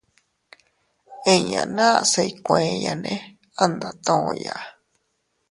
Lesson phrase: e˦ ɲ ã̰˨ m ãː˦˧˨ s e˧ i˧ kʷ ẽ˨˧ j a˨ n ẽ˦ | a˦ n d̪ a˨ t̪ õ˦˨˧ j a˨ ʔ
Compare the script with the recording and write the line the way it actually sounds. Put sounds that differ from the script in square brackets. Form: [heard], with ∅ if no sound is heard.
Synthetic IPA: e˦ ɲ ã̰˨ [n] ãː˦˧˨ s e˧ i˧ kʷ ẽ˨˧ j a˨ n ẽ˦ | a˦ n d̪ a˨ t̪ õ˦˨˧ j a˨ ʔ